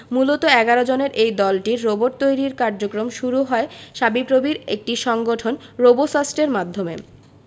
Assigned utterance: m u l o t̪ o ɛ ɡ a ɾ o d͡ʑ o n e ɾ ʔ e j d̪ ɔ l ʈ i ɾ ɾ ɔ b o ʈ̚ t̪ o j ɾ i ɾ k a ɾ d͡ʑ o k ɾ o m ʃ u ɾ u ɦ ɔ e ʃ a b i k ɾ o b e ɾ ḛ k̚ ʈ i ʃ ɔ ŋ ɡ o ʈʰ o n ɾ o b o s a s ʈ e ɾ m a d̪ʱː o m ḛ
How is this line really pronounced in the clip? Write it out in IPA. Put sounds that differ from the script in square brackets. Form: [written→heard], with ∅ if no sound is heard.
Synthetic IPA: m u l o t̪ o ɛ ɡ a ɾ o d͡ʑ o n e ɾ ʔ e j d̪ ɔ l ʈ i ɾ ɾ [ɔ→o] b o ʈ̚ t̪ o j ɾ i ɾ k a ɾ d͡ʑ o k ɾ o m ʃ u ɾ u ɦ ɔ e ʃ a b i [k→p] ɾ o b [e→i] ɾ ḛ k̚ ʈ i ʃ ɔ ŋ ɡ o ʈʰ o n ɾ o b o s a s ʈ e ɾ m a d̪ʱː o m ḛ